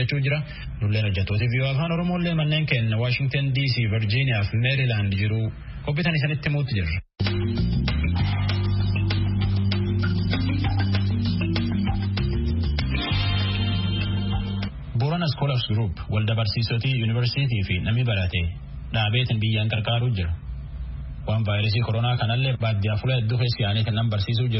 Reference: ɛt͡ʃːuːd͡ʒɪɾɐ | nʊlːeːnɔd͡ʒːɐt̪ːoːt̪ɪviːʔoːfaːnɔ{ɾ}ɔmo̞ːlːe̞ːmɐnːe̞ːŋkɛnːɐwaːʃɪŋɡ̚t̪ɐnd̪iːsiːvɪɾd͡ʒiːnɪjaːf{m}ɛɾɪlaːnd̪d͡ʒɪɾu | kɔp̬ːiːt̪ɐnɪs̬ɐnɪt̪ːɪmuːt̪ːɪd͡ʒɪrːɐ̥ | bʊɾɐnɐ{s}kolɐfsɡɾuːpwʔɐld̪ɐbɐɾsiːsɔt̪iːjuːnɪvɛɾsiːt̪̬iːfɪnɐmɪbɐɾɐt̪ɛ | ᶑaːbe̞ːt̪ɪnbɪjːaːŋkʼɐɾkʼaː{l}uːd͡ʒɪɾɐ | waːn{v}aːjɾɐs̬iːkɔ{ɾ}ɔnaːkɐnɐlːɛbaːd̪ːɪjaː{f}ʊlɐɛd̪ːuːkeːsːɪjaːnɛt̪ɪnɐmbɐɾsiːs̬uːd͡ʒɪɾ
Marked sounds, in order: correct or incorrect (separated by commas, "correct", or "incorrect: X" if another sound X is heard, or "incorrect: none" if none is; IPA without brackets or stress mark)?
correct, correct, correct, incorrect: ɾ, correct, correct, correct